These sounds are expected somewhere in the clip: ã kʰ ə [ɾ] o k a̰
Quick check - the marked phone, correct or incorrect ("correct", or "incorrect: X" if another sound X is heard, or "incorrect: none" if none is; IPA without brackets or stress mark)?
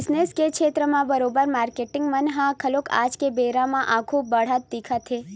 incorrect: l